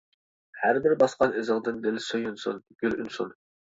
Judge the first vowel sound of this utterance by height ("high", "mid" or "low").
low